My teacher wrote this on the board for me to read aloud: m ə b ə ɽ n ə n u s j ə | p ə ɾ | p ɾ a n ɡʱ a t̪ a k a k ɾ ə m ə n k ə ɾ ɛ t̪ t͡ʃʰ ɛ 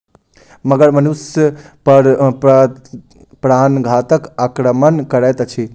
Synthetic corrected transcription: m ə ɡ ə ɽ m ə n u s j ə | p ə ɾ | p ɾ a n ɡʱ a t̪ ə k a k ɾ ə m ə n k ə ɾ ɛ t̪ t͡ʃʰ i